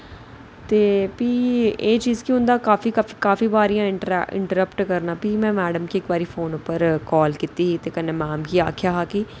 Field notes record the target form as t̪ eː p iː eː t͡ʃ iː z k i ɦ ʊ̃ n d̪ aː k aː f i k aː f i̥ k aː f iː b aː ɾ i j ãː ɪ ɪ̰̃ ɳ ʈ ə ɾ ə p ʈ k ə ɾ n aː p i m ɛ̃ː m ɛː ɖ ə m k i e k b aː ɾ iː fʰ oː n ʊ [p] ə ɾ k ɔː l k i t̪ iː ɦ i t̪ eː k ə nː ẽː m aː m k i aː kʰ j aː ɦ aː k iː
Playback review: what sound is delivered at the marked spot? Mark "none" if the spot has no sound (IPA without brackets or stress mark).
p